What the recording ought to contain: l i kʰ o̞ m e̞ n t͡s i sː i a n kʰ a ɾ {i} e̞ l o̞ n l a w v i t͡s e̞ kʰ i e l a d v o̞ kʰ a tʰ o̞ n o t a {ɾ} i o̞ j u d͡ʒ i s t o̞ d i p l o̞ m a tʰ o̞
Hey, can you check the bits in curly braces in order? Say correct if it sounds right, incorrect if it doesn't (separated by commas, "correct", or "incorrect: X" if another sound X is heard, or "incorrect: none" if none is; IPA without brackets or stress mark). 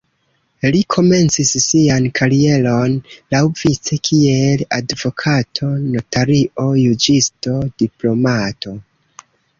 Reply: correct, correct